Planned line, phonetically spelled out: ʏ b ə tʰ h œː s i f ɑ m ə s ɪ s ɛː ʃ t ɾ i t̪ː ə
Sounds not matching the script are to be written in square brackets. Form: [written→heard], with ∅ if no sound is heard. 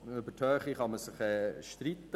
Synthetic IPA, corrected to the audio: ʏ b ə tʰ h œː [s→χ] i [f→χ] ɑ m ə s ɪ [s→χ] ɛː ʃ t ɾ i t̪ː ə